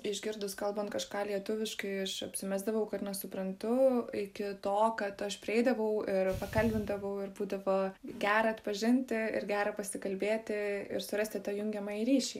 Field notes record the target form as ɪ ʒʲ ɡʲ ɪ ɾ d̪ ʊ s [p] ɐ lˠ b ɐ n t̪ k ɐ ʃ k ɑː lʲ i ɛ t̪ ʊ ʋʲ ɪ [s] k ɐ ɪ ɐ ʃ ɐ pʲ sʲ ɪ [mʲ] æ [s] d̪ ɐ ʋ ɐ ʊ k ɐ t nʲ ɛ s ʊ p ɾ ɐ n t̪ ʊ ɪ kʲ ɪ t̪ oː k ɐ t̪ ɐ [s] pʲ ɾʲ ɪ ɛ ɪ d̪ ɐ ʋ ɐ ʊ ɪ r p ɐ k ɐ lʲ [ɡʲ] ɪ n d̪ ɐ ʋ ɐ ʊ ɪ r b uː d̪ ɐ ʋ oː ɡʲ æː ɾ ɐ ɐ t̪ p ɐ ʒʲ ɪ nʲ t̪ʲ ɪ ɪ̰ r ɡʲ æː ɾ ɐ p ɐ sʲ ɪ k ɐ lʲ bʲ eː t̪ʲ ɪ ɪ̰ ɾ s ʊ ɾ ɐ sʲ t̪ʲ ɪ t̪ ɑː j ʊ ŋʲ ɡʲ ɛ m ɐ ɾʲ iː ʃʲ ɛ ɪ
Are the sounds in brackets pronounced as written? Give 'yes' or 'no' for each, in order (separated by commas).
no, no, yes, no, no, no